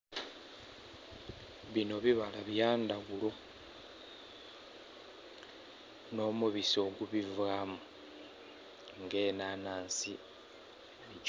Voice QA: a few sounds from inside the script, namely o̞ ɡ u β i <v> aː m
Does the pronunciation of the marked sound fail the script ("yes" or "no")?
no